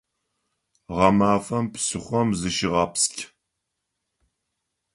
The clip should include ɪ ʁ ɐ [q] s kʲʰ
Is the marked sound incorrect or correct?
incorrect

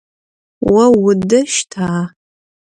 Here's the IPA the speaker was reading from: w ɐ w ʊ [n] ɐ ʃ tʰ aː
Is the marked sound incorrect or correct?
incorrect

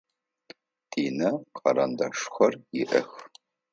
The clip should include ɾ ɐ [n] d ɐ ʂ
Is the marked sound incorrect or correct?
correct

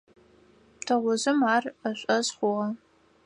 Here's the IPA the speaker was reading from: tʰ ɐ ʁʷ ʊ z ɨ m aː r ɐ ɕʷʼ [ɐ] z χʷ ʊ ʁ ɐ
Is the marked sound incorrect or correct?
correct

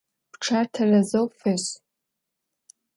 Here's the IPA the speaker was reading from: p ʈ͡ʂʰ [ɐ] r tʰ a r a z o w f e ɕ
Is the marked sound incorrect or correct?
incorrect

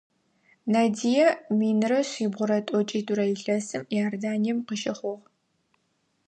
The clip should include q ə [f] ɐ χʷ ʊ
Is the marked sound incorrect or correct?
incorrect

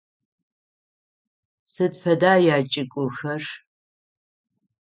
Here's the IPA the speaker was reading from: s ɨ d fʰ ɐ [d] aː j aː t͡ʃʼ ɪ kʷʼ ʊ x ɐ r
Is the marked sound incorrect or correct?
correct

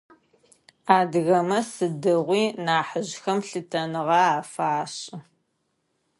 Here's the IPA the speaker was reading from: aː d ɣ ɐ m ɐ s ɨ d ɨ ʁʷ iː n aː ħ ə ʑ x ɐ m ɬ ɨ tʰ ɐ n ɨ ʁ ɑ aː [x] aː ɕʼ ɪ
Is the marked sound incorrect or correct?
incorrect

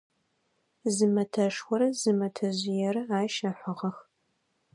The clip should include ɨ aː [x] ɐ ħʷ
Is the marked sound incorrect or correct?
incorrect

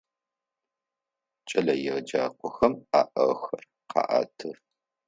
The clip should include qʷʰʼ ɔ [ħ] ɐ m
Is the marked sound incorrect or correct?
incorrect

